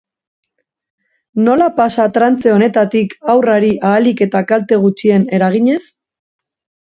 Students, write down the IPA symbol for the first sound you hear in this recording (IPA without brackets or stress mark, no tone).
n